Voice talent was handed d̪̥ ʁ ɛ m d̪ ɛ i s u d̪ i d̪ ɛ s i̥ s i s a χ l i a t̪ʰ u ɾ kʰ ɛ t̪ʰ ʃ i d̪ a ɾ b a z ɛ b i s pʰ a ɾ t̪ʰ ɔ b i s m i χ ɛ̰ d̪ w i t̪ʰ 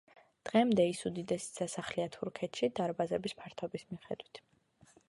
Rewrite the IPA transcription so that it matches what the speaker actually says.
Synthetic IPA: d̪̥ ʁ ɛ m d̪ ɛ i s u d̪ i d̪ ɛ s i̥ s a s a χ l i a t̪ʰ u ɾ kʰ ɛ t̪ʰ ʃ i d̪ a ɾ b a z ɛ b i s pʰ a ɾ t̪ʰ ɔ b i s m i χ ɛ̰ d̪ w i t̪ʰ